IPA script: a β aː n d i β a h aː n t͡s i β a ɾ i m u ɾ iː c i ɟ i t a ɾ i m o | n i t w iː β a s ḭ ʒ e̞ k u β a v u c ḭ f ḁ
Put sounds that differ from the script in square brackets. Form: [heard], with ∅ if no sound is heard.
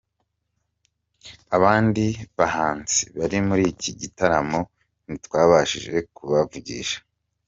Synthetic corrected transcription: a β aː n d i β a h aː n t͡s i β a ɾ i m u ɾ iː c i ɟ i t a ɾ [a] m o | n i t w [aː] β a [ʃ] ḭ ʒ e̞ k u β a v u [ɟ] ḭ [ʃ] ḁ